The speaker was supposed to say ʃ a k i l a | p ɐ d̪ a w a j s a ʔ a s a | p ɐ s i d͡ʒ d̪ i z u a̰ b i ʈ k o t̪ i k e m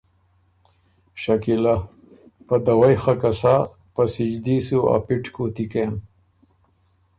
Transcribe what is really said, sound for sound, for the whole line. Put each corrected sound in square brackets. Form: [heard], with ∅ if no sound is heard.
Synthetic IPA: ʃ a k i l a | p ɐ d̪ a w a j [x] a [k] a s a | p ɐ s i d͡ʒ d̪ i [s] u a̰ [p] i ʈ k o t̪ i k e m